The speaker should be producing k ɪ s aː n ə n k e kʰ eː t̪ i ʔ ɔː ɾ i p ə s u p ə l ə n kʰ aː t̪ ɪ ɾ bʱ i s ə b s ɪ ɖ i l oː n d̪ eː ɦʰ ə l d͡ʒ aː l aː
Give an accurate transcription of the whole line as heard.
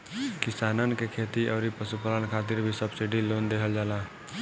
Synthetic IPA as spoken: k ɪ s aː n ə n k e kʰ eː t̪ i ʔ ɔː ɾ i p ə s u p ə l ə n kʰ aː t̪ ɪ ɾ bʱ i s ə b s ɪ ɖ i l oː n d̪ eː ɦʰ ə l d͡ʒ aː l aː